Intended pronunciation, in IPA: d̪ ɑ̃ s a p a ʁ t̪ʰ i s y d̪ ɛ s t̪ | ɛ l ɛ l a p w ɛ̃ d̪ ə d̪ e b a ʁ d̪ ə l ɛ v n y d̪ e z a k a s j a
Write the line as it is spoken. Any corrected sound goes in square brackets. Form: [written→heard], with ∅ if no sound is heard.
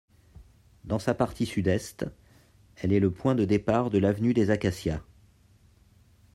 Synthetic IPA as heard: d̪ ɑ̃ s a p a ʁ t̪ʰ i s y d̪ ɛ s t̪ | ɛ l ɛ l [a→ə] p w ɛ̃ d̪ ə d̪ e [b→p] a ʁ d̪ ə l [ɛ→a] v n y d̪ e z a k a s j a